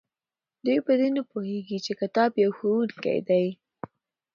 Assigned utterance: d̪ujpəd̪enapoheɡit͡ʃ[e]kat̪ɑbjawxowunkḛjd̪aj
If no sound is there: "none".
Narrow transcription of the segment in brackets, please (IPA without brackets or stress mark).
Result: e